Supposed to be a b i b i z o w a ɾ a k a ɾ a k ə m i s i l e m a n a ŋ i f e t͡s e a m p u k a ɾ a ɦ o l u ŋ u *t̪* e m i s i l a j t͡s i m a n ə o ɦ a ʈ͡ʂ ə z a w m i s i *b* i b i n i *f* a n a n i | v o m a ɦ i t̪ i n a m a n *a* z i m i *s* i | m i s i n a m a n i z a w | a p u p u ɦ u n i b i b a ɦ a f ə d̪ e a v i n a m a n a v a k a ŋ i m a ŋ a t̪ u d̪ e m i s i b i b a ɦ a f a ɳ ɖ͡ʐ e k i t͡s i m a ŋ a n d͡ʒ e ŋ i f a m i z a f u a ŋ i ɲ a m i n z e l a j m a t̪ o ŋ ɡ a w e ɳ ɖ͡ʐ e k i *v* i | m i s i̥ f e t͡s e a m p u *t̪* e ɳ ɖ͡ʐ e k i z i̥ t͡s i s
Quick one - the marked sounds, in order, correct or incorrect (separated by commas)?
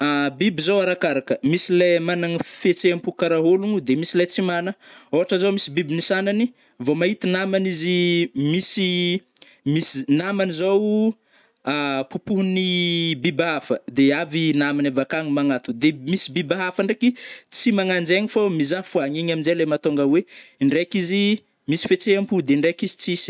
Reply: incorrect, correct, incorrect, incorrect, correct, incorrect, incorrect